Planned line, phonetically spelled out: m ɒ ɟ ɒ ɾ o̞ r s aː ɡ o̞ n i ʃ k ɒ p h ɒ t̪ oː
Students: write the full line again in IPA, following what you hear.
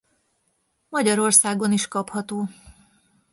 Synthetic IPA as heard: m ɒ ɟ ɒ ɾ o̞ r s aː ɡ o̞ n i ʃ k ɒ p h ɒ t̪ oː